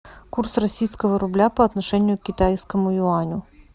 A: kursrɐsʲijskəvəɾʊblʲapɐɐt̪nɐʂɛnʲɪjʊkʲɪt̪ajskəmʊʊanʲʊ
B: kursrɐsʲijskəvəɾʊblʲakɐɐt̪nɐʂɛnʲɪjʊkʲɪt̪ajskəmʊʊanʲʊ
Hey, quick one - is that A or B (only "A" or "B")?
A